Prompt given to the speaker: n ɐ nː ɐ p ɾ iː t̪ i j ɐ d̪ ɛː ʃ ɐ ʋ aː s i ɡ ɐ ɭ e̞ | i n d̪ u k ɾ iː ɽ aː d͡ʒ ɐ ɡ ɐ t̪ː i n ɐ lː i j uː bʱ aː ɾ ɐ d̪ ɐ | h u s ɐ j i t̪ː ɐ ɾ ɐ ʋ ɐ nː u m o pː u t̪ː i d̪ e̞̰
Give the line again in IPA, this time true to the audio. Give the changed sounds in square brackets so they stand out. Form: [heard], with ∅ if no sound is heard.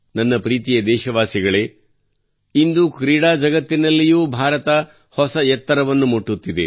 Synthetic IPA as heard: n ɐ nː ɐ p ɾ iː t̪ i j ɐ d̪ ɛː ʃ ɐ ʋ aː s i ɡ ɐ ɭ e̞ | i n d̪ u k ɾ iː ɽ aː d͡ʒ ɐ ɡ ɐ t̪ː i n ɐ lː i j uː bʱ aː ɾ ɐ [t̪] ɐ | h [ɔ] s ɐ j [ɛ] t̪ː ɐ ɾ ɐ ʋ ɐ nː u m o [ʈː] u t̪ː i d̪ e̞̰